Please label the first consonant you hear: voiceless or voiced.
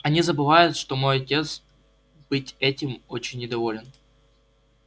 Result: voiced